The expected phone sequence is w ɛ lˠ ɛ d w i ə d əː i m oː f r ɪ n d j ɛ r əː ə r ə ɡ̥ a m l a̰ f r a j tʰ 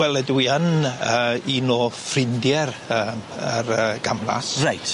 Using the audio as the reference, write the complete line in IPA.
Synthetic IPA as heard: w ɛ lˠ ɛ d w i ə n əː i n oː f r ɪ n d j ɛ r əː ə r ə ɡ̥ a m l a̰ s r a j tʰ